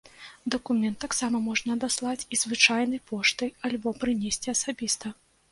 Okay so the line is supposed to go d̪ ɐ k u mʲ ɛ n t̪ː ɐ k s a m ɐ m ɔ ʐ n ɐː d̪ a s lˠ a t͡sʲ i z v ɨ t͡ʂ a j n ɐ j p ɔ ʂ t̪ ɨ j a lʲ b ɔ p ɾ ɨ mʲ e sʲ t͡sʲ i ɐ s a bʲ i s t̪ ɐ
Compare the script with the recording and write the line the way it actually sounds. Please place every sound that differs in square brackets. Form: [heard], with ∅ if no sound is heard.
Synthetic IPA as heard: d̪ ɐ k u mʲ ɛ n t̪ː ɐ k s a m ɐ m ɔ ʐ n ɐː d̪ a s lˠ a t͡sʲ i z v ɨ t͡ʂ a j n ɐ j p ɔ ʂ t̪ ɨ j a lʲ b ɔ p ɾ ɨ [nʲ] e sʲ t͡sʲ i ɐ s a bʲ i s t̪ ɐ